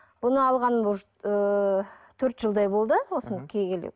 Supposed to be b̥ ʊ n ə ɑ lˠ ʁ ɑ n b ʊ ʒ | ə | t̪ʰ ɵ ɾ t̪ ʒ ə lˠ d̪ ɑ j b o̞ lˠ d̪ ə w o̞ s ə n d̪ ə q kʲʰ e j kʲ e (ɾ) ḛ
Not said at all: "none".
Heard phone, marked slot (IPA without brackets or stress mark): l